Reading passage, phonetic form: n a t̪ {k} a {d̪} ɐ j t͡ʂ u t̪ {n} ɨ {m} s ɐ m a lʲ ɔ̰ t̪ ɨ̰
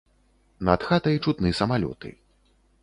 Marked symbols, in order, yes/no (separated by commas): no, no, yes, no